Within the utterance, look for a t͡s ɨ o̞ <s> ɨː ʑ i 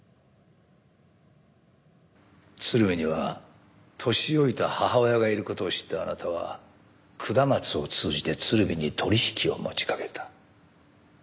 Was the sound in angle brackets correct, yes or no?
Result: no